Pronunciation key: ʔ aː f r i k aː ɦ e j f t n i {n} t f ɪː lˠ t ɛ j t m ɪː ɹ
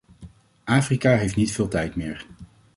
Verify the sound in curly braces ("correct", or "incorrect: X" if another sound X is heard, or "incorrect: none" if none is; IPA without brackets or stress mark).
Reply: incorrect: none